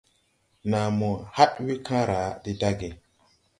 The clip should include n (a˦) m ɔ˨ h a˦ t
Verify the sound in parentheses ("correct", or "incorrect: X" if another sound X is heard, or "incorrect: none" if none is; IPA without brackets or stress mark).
incorrect: a˨